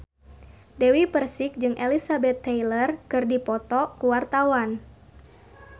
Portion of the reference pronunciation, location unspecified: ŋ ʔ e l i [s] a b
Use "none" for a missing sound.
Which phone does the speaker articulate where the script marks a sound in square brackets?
s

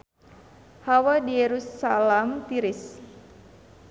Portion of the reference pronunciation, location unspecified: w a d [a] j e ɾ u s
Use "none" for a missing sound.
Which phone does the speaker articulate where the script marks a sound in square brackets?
i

